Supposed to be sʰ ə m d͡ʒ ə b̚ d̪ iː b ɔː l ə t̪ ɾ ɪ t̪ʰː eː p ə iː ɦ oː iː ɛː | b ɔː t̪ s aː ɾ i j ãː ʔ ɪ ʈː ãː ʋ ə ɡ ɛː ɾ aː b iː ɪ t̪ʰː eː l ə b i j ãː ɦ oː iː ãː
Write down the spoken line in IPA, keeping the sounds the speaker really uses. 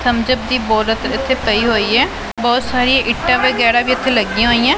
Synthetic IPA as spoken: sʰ ə m d͡ʒ ə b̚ d̪ iː b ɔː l ə t̪ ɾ ɪ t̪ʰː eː p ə iː ɦ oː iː ɛː | b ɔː t̪ s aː ɾ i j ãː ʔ ɪ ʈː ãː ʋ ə ɡ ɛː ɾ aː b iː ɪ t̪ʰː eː l ə ɡ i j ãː ɦ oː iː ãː